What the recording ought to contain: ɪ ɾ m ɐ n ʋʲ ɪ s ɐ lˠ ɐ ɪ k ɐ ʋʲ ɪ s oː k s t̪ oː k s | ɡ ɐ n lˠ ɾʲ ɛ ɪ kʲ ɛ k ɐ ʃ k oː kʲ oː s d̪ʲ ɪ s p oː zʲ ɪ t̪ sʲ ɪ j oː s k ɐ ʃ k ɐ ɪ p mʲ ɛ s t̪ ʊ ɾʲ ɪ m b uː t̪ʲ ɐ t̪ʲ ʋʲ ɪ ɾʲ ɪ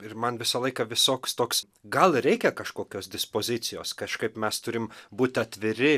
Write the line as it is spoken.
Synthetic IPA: ɪ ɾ m ɐ n ʋʲ ɪ s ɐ lˠ ɐ ɪ k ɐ ʋʲ ɪ s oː k s t̪ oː k s | ɡ ɐ lˠ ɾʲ ɛ ɪ kʲ ɛ k ɐ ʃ k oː kʲ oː s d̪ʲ ɪ s p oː zʲ ɪ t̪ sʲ ɪ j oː s k ɐ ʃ k ɐ ɪ p mʲ ɛ s t̪ ʊ ɾʲ ɪ m b uː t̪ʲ ɐ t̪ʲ ʋʲ ɪ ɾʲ ɪ